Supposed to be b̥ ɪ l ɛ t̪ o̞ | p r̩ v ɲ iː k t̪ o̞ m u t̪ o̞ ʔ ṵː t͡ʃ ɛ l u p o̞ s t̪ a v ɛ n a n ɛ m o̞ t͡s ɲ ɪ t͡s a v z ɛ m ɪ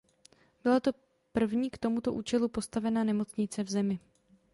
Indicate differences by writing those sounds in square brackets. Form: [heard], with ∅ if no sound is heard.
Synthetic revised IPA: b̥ ɪ l [a] t̪ o̞ | p r̩ v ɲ iː k t̪ o̞ m u t̪ o̞ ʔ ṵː t͡ʃ ɛ l u p o̞ s t̪ a v ɛ n a n ɛ m o̞ t͡s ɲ ɪ t͡s [ɛ] v z ɛ m ɪ